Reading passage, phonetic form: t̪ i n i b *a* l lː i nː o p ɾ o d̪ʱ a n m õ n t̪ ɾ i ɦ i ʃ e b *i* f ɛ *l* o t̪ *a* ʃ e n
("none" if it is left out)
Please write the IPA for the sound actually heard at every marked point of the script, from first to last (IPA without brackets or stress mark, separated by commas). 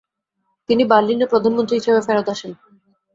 a, e, ɾ, a